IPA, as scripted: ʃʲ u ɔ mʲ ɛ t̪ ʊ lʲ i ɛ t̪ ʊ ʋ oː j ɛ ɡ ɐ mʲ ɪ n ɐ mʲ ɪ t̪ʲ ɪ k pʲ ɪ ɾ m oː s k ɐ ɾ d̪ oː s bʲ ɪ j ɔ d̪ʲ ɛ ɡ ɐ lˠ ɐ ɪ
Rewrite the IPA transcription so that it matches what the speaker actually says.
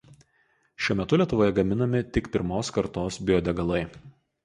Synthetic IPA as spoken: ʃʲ u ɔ mʲ ɛ t̪ ʊ lʲ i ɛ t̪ ʊ ʋ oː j ɛ ɡ ɐ mʲ ɪ n ɐ mʲ ɪ t̪ʲ ɪ k pʲ ɪ ɾ m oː s k ɐ ɾ t̪ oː s bʲ ɪ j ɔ d̪ʲ ɛ ɡ ɐ lˠ ɐ ɪ